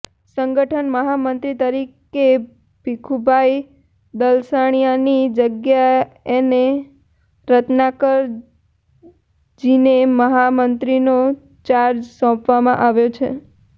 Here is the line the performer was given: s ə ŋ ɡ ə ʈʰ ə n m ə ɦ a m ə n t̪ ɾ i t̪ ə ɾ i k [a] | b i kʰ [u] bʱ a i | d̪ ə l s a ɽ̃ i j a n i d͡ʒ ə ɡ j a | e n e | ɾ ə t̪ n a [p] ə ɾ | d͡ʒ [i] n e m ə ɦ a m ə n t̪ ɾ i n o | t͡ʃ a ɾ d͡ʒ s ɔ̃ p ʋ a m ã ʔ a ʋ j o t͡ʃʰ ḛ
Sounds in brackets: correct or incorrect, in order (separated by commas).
incorrect, correct, incorrect, correct